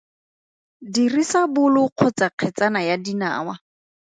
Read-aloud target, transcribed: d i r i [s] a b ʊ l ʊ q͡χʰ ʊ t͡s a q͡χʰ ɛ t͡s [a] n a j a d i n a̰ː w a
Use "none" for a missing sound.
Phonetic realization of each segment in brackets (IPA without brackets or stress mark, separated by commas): s, a